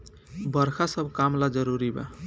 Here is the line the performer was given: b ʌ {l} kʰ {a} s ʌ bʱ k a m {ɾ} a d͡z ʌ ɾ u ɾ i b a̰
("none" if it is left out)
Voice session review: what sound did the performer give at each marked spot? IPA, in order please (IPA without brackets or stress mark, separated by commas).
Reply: ɾ, a, l